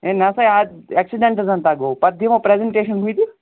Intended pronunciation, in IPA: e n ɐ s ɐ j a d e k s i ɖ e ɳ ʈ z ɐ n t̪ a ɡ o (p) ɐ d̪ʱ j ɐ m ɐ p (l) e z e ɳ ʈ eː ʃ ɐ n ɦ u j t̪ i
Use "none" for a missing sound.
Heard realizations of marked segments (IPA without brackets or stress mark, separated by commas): p, ɾ